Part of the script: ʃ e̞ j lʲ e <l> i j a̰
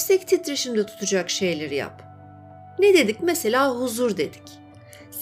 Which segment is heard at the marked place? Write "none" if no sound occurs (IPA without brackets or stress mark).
ɾ